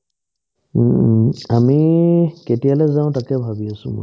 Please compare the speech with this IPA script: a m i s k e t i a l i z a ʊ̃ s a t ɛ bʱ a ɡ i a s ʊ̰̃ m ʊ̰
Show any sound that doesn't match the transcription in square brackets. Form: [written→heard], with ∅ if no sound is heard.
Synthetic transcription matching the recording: a m i [s→∅] k e t i a l [i→ɛ] z a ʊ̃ [s→t] a [t→k] ɛ bʱ a [ɡ→b] i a s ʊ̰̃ m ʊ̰